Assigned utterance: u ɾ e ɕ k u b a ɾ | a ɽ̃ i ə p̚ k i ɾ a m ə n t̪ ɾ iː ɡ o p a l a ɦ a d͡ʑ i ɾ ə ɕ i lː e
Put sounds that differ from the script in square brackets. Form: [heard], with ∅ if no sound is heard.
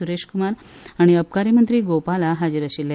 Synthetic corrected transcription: u ɾ e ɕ k u [m] a ɾ | a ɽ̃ i ə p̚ k [a] ɾ [i] m ə n t̪ ɾ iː ɡ o p a l a ɦ a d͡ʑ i ɾ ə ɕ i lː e